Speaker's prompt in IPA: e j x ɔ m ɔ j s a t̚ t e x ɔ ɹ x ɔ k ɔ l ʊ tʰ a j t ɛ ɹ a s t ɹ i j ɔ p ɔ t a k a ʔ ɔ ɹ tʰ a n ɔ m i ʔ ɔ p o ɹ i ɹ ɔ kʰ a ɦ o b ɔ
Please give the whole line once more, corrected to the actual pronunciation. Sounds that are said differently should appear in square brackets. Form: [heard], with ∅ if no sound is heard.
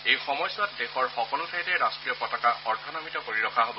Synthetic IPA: e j x ɔ m ɔ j s a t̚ [d] e x ɔ ɹ x ɔ k ɔ l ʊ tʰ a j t ɛ ɹ a s t ɹ i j ɔ p ɔ t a k a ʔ ɔ ɹ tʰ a n ɔ m i [t] ɔ p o ɹ i ɹ ɔ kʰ a ɦ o b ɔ